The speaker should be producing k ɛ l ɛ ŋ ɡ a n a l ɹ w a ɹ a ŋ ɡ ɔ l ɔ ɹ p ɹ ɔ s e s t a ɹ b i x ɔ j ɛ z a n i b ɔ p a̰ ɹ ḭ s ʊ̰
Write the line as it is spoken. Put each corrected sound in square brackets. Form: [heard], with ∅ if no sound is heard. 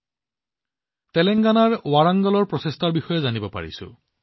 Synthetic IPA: [t] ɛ l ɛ ŋ ɡ a n a [∅] ɹ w a ɹ a ŋ ɡ ɔ l ɔ ɹ p ɹ ɔ s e s t a ɹ b i x ɔ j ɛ z a n i b ɔ p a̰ ɹ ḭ s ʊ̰